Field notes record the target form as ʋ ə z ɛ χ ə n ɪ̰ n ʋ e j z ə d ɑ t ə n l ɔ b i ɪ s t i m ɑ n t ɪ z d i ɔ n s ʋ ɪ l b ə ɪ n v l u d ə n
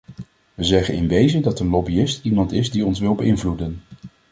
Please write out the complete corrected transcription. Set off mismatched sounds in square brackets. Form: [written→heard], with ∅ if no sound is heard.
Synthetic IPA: ʋ ə z ɛ χ ə n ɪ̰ n ʋ e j z ə d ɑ t ə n l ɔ b i ɪ s t i m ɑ n t ɪ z d i ɔ n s ʋ ɪ l b ə ɪ n v l u d ə n

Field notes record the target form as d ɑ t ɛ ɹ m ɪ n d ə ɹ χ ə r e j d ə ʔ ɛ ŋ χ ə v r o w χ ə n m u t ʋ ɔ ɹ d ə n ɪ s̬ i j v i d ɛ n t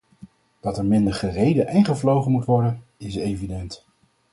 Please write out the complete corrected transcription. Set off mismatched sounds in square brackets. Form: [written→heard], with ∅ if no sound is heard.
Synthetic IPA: d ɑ t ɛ ɹ m ɪ n d ə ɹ χ ə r e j d ə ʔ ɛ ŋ χ ə v [r→l] o w χ ə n m u t ʋ ɔ ɹ d ə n ɪ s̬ [i→e] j v i d ɛ n t

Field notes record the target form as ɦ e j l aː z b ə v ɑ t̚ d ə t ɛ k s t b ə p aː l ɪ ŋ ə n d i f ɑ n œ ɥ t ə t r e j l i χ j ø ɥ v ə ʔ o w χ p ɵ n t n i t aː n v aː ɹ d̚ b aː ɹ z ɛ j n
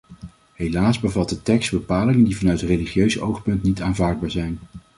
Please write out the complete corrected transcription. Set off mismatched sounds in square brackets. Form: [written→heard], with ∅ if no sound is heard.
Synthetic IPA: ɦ e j l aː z b ə v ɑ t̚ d ə t ɛ k s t b ə p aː l ɪ ŋ ə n d i [f→v] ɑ n œ ɥ t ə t r e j l i χ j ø ɥ [v→z] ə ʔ o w χ p ɵ n t n i t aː n v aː ɹ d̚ b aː ɹ z ɛ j n

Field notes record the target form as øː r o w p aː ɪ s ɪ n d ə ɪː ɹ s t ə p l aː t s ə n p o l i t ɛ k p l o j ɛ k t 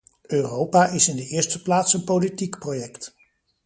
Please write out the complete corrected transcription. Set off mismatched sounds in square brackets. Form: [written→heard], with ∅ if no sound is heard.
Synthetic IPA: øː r o w p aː ɪ s ɪ n d ə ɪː ɹ s t ə p l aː t s ə n p o l i t [ɛ→i] k p [l→r] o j ɛ k t

